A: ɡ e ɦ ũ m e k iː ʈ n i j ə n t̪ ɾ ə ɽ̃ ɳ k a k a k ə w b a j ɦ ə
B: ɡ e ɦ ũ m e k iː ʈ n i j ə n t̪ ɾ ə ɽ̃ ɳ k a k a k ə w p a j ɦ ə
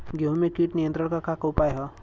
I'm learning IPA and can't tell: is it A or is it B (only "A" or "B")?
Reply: B